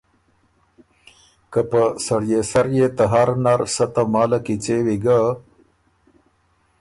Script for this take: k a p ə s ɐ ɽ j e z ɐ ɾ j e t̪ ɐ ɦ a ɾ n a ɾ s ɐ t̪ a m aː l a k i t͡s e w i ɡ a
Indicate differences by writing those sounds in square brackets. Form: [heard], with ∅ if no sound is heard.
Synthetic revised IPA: k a p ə s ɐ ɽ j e [s] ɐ ɾ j e t̪ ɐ ɦ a ɾ n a ɾ s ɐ t̪ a m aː l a k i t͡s e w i ɡ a